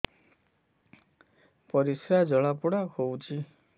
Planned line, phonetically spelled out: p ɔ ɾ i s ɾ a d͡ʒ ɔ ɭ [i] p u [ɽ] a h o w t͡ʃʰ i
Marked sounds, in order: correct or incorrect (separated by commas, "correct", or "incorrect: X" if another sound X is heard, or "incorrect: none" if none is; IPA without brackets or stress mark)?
incorrect: a, correct